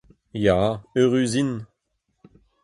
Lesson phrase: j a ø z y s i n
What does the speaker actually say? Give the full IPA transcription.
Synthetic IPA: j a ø ʁ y z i n